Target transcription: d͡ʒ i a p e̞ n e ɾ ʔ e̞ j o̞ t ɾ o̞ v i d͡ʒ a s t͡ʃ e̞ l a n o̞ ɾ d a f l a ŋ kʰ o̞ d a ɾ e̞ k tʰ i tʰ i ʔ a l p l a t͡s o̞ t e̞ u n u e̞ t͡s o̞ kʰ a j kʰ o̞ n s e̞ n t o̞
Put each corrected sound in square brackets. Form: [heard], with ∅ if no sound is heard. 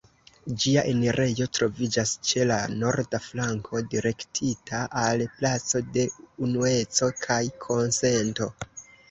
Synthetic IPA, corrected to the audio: d͡ʒ i a [ʔ] e̞ n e ɾ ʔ e̞ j o̞ t ɾ o̞ v i d͡ʒ a s t͡ʃ e̞ l a n o̞ ɾ d a f l a ŋ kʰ o̞ d [i] ɾ e̞ k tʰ i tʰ [a] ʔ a l p l a t͡s o̞ [d] e̞ u n u e̞ t͡s o̞ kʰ a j kʰ o̞ n s e̞ n t o̞

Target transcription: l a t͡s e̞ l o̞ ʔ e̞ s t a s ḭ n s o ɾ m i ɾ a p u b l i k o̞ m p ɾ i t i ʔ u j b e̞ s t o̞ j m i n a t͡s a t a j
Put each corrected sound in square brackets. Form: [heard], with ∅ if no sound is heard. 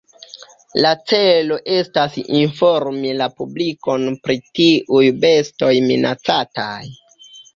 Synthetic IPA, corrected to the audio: l a t͡s e̞ l o̞ ʔ e̞ s t a s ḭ n [f] o ɾ m i [l] a p u b l i k o̞ [n] p ɾ i t i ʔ u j b e̞ s t o̞ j m i n a t͡s a t a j

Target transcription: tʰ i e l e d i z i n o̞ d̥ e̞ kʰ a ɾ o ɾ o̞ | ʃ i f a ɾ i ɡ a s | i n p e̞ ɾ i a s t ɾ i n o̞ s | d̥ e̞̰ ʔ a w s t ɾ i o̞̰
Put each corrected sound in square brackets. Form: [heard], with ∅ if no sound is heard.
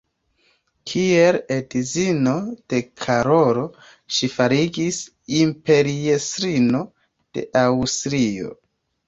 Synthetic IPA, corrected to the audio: [kʰ] i e l e d i z i n o̞ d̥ e̞ kʰ a ɾ o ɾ o̞ | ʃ i f a ɾ i ɡ [i] s | i [m] p e̞ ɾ i [e] s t ɾ i n o̞ [∅] | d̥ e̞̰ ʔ a w s t ɾ i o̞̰

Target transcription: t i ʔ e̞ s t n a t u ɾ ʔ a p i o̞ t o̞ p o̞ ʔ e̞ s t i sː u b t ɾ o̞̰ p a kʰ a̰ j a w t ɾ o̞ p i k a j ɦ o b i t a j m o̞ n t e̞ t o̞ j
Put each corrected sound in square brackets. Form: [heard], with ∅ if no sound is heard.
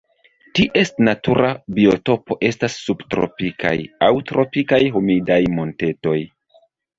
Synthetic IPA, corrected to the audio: t i ʔ e̞ s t n a t u ɾ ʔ a [b] i o̞ t o̞ p o̞ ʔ e̞ s t [a] sː u b t ɾ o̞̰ p [i] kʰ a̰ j a w t ɾ o̞ p i k a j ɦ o [m] i [d] a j m o̞ n t e̞ t o̞ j

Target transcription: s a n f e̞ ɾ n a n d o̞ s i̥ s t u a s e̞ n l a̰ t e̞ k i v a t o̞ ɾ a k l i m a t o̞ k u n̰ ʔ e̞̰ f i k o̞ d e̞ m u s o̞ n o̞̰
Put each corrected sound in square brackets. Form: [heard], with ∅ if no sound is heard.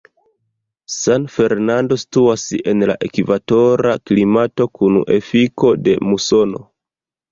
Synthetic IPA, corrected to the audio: s a n f e̞ ɾ n a n d o̞ s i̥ [∅] t u a s e̞ n l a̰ [ʔ] e̞ k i v a t o̞ ɾ a k l i m a t o̞ k u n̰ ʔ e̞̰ f i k o̞ d e̞ m u s o̞ n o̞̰

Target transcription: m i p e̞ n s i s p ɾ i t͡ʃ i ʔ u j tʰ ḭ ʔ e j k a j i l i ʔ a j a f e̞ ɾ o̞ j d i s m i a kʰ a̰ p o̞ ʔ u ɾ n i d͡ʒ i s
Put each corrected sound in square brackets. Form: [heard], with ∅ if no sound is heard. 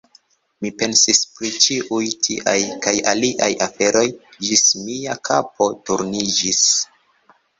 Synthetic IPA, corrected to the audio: m i p e̞ n s i s p ɾ i t͡ʃ i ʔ u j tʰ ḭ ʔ [a] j k a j [a] l i ʔ a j a f e̞ ɾ o̞ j [d͡ʒ] i s m i a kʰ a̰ p o̞ [t] u ɾ n i d͡ʒ i s

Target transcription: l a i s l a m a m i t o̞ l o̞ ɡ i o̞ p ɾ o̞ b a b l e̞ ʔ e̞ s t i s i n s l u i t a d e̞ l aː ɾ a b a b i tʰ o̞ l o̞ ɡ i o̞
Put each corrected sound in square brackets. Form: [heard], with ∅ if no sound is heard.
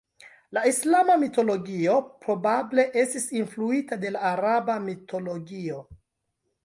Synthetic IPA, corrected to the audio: l a i s l a m a m i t o̞ l o̞ ɡ i o̞ p ɾ o̞ b a b l e̞ ʔ e̞ s t i s i n [f] l u i t a d e̞ l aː ɾ a b a [m] i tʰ o̞ l o̞ ɡ i o̞

